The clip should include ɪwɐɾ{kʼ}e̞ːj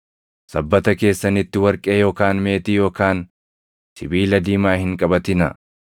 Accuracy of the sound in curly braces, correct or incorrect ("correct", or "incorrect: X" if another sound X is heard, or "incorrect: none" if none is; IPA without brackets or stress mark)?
correct